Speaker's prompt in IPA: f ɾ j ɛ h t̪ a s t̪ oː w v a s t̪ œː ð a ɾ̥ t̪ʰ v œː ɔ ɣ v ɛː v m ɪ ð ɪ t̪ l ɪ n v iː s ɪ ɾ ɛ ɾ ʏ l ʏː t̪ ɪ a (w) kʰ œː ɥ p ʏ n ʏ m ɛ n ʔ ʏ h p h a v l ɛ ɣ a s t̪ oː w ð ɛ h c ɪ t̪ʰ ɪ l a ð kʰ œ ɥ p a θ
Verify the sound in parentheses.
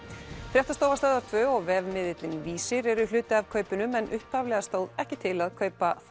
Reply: incorrect: v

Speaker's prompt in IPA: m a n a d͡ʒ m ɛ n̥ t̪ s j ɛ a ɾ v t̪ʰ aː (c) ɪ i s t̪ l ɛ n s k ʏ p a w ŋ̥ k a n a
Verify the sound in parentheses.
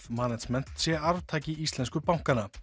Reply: correct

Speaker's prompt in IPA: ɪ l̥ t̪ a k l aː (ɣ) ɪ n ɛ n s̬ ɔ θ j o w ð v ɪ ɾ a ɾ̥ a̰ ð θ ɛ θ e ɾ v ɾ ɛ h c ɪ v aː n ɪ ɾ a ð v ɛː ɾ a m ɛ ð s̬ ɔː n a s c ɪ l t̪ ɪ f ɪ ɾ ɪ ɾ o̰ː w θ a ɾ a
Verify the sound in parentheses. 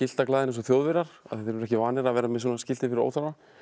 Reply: incorrect: ð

